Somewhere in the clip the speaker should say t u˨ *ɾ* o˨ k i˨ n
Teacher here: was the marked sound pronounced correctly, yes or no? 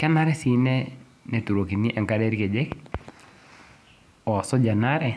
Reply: yes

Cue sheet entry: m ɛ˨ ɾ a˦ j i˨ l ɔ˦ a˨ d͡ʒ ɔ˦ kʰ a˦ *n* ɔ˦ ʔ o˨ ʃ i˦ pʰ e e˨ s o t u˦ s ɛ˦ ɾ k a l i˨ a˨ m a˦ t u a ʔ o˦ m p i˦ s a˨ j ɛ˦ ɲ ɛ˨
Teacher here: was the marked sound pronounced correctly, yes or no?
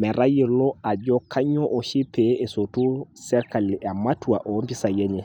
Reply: no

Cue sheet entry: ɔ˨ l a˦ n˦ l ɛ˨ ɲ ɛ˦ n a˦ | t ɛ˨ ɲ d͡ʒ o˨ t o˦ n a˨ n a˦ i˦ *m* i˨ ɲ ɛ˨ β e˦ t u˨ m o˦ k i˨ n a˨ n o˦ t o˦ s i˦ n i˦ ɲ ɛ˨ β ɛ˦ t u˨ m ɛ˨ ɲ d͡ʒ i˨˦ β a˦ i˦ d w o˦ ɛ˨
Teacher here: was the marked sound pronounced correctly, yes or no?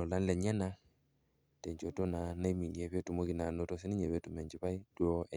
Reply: yes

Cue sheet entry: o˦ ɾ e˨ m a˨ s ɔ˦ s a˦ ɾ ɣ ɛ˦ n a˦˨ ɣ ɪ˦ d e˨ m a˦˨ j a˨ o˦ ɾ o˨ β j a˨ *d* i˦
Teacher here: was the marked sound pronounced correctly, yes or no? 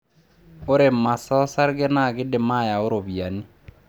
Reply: no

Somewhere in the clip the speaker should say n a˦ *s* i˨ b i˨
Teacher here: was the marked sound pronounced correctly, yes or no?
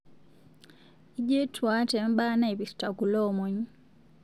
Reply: no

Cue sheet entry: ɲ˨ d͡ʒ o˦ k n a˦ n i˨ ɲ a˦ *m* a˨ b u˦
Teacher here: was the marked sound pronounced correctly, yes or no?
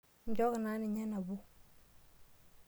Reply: no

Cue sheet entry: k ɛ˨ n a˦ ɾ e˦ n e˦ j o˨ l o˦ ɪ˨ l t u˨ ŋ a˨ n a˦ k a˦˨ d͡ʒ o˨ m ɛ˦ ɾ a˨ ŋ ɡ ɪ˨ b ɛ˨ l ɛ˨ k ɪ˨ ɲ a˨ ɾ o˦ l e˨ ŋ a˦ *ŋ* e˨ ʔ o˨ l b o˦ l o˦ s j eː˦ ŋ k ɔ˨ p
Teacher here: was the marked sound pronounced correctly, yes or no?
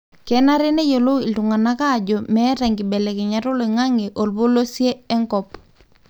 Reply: yes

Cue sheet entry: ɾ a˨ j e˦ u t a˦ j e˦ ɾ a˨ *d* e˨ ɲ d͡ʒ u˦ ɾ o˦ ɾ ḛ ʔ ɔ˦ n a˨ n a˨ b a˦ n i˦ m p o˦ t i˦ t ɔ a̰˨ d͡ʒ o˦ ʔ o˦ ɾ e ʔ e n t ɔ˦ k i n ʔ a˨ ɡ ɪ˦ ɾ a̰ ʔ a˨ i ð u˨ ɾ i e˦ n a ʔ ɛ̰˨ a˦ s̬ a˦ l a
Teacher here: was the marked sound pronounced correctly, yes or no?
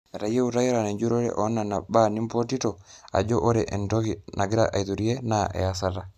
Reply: no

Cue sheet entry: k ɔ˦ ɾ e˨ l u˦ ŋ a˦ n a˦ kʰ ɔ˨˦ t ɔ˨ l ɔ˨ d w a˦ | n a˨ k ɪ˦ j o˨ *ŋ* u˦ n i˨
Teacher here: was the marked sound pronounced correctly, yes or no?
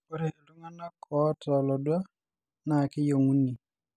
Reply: yes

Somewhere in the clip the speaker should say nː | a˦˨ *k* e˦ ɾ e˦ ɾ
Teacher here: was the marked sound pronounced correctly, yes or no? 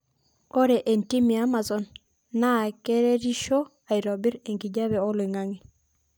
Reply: yes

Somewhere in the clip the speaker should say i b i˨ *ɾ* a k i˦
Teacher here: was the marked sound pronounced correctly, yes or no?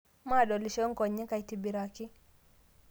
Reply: yes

